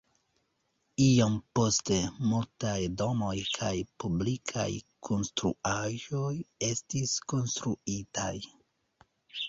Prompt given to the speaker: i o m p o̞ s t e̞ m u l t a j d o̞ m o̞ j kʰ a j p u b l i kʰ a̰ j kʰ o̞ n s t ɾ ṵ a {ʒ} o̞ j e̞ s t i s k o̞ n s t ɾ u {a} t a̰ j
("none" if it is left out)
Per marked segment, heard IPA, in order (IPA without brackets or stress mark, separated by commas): ʒ, i